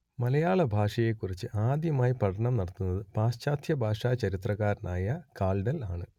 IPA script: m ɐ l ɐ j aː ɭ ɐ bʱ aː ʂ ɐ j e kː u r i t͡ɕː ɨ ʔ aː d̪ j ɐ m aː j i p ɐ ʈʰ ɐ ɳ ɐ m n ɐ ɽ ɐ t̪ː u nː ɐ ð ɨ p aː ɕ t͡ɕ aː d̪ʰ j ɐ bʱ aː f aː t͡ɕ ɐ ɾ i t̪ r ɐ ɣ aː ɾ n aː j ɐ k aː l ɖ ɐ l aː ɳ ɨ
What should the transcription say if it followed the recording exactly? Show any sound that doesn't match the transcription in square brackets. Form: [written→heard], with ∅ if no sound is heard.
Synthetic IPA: m ɐ l ɐ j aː ɭ ɐ bʱ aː ʂ ɐ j e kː u r i t͡ɕː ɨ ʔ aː d̪ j ɐ m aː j i p ɐ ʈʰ ɐ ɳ ɐ m n ɐ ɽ ɐ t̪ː u nː ɐ ð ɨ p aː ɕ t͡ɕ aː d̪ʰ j ɐ bʱ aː [f→ʂ] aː t͡ɕ ɐ ɾ i t̪ r ɐ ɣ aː ɾ n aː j ɐ k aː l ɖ ɐ l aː ɳ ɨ

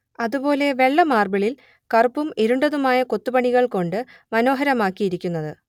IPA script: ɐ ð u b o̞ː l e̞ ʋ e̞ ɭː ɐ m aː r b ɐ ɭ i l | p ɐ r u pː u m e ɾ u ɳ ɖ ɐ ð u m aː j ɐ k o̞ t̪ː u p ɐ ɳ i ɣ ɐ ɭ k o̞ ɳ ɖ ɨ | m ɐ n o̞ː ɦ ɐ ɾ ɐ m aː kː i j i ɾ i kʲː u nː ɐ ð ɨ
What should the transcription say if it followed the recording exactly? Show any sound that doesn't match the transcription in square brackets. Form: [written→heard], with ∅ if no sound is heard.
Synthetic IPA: ɐ ð u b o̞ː l e̞ ʋ e̞ ɭː ɐ m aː r b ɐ ɭ i l | [p→k] ɐ r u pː u m e ɾ u ɳ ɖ ɐ ð u m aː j ɐ k o̞ t̪ː u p ɐ ɳ i ɣ ɐ ɭ k o̞ ɳ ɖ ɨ | m ɐ n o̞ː ɦ ɐ ɾ ɐ m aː kː i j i ɾ i kʲː u nː ɐ ð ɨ

